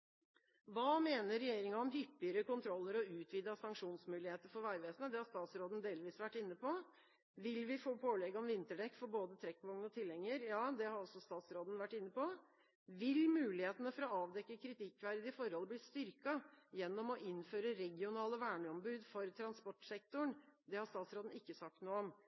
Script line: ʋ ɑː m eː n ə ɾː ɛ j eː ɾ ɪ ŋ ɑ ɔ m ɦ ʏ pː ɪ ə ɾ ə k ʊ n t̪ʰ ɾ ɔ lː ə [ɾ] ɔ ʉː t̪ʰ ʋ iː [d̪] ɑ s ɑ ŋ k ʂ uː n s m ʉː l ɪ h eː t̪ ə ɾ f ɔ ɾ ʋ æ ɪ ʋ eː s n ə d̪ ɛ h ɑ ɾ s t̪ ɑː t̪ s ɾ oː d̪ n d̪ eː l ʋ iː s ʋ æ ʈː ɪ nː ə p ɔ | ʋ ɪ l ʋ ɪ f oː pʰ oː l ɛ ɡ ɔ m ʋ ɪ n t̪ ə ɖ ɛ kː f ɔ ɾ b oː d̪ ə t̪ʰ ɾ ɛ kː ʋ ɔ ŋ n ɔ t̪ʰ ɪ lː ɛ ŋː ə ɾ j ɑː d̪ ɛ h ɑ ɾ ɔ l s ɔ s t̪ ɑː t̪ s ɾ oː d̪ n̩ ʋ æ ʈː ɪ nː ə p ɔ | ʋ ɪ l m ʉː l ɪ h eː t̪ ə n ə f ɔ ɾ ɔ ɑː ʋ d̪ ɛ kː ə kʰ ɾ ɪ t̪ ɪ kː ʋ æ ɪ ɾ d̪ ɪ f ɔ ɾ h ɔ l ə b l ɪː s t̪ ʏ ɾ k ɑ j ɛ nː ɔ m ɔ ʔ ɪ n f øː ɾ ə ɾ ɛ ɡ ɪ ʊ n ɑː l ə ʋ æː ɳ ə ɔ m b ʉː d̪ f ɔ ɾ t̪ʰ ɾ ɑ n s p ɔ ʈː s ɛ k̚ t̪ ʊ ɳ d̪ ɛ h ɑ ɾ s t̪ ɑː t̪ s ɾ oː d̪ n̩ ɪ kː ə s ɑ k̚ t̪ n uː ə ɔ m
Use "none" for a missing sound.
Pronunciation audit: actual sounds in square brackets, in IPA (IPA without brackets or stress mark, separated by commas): ɾ, d̪